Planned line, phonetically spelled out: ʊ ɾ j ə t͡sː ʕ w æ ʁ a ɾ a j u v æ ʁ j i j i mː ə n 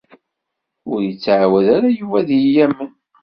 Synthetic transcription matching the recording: ʊ ɾ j ə t͡sː ʕ w æ ð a ɾ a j u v æ ð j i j æ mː ə n

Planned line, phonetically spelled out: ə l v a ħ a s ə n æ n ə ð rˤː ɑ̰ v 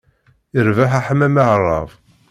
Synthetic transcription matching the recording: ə ɾ v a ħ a ħ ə m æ m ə ʕ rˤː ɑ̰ v

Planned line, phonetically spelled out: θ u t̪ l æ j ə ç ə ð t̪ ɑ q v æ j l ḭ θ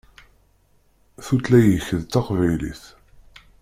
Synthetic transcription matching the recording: θ u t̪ l æ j ə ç ə ð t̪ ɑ q v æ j l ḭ θ

